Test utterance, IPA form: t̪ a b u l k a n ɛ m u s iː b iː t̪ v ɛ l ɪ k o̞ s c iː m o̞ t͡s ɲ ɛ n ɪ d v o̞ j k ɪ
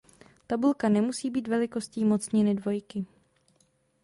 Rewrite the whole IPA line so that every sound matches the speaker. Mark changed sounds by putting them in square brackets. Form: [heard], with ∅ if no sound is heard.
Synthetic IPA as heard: t̪ a b u l k a n ɛ m u s iː b iː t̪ v ɛ l ɪ k o̞ s c iː m o̞ t͡s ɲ ɛ n ɪ d v o̞ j k ɪ

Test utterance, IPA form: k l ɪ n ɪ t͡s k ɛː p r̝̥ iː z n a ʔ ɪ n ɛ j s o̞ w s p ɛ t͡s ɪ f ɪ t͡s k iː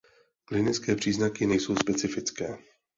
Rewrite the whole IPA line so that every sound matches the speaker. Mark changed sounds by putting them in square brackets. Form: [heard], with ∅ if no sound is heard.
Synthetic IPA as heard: k l ɪ n ɪ t͡s k ɛː p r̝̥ iː z n a [k] ɪ n ɛ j s o̞ w s p ɛ t͡s ɪ f ɪ t͡s k [ɛː]

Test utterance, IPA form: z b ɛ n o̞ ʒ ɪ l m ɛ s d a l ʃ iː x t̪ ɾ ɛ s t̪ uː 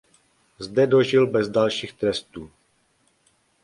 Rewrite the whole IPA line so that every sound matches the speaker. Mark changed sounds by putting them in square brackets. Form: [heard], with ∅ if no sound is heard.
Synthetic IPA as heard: z [d] ɛ [d] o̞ ʒ ɪ l [b] ɛ [z] d a l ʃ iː x t̪ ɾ ɛ s t̪ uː

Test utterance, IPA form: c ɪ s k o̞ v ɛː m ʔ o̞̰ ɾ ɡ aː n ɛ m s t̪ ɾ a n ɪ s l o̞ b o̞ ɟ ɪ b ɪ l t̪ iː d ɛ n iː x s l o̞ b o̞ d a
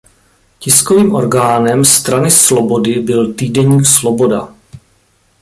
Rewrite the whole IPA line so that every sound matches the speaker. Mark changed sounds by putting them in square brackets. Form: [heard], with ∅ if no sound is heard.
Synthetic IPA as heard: c ɪ s k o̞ v [iː] m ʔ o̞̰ ɾ ɡ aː n ɛ m s t̪ ɾ a n ɪ s l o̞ b o̞ [d] ɪ b ɪ l t̪ iː d ɛ [ɲ] iː [k] s l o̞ b o̞ d a

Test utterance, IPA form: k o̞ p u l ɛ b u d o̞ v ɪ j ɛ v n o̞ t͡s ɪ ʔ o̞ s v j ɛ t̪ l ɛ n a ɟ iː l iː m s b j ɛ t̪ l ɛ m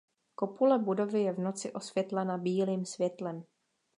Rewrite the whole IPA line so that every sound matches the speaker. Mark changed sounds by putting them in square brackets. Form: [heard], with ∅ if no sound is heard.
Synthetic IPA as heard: k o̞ p u l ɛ b u d o̞ v ɪ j ɛ v n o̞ t͡s ɪ ʔ o̞ s v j ɛ t̪ l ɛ n a [b] iː l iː m s [v] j ɛ t̪ l ɛ m

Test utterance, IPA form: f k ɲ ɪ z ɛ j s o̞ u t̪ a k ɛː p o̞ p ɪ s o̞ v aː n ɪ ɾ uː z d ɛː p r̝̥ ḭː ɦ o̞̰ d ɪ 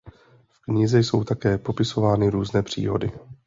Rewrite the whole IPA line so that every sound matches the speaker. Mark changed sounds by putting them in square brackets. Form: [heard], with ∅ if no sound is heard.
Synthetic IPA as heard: f k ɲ ɪ z ɛ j s o̞ [w] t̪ a k ɛː p o̞ p ɪ s o̞ v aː n ɪ ɾ uː z [n] ɛː p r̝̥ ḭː ɦ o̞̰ d ɪ

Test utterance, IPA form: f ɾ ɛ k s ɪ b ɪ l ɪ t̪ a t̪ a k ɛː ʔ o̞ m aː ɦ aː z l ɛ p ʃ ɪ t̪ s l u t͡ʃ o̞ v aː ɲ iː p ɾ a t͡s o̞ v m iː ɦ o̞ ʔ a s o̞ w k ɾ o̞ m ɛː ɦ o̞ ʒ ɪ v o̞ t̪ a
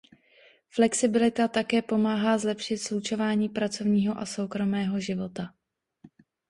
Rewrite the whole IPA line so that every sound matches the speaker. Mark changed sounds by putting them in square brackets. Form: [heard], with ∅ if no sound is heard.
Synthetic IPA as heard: f [l] ɛ k s ɪ b ɪ l ɪ t̪ a t̪ a k ɛː [p] o̞ m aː ɦ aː z l ɛ p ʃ ɪ t̪ s l u t͡ʃ o̞ v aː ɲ iː p ɾ a t͡s o̞ v [ɲ] iː ɦ o̞ ʔ a s o̞ w k ɾ o̞ m ɛː ɦ o̞ ʒ ɪ v o̞ t̪ a

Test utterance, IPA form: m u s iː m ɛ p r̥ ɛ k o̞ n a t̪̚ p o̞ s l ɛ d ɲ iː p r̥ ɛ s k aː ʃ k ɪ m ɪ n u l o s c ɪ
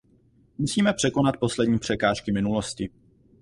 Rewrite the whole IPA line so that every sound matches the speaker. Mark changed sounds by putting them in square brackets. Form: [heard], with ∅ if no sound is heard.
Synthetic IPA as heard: m u s iː m ɛ p r̥ ɛ k o̞ n a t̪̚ p o̞ s l ɛ d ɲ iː p r̥ ɛ [∅] k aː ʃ k ɪ m ɪ n u l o s c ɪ

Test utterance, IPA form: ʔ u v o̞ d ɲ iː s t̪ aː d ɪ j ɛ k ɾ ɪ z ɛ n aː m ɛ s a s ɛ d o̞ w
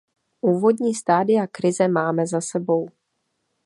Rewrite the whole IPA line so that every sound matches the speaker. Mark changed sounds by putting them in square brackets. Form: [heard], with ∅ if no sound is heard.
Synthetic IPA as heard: ʔ [uː] v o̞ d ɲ iː s t̪ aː d ɪ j [a] k ɾ ɪ z ɛ [m] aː m ɛ [z] a s ɛ [b] o̞ w

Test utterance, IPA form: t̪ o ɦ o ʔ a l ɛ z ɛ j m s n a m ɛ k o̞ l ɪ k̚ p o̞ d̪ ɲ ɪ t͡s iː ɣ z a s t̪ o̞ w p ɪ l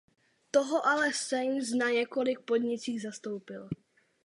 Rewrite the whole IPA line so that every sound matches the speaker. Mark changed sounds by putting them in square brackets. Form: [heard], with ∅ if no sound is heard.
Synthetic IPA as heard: t̪ o ɦ o ʔ a l ɛ [s] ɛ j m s n a [ɲ] ɛ k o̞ l ɪ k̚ p o̞ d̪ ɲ ɪ t͡s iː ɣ z a s t̪ o̞ w p ɪ l

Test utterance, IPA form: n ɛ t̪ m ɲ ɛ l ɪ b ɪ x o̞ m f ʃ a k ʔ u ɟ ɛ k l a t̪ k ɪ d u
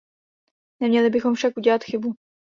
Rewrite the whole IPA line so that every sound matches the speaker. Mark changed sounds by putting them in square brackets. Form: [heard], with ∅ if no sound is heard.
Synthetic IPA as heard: n ɛ [∅] m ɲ ɛ l ɪ b ɪ x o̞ m f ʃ a k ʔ u ɟ ɛ [∅] l a t̪ [x] ɪ [b] u

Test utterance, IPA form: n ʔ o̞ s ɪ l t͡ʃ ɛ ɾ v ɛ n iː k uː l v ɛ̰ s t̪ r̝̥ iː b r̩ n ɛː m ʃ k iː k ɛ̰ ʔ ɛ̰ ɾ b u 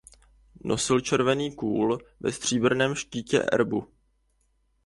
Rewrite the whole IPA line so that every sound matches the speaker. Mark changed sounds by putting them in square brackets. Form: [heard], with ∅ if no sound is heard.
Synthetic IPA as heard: n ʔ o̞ s ɪ l t͡ʃ ɛ ɾ v ɛ n iː k uː l v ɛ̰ s t̪ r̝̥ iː b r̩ n ɛː m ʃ [c] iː [c] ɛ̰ ʔ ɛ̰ ɾ b u

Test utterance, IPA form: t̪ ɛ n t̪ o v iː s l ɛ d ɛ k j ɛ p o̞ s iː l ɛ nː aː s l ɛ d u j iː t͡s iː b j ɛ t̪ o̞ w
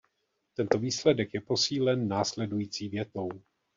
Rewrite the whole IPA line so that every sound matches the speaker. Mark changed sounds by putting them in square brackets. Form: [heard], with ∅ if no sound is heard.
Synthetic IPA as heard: t̪ ɛ n t̪ o v iː s l ɛ d ɛ k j ɛ p o̞ s iː l ɛ nː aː s l ɛ d u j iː t͡s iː [v] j ɛ t̪ o̞ w

